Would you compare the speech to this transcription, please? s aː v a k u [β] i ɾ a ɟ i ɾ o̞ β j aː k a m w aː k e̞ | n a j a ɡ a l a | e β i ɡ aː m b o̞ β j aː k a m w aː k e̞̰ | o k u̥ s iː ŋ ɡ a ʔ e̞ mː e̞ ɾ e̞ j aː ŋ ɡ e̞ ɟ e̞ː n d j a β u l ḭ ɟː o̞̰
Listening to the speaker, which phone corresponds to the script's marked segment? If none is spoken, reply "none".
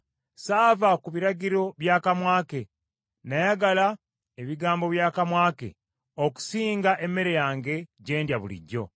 β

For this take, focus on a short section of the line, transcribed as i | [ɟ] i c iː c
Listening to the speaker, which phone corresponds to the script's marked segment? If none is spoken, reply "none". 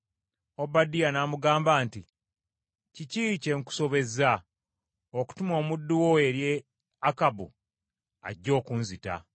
c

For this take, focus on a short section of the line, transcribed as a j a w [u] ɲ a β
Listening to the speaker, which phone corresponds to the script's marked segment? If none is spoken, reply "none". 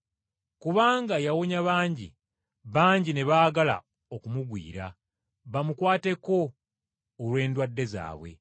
o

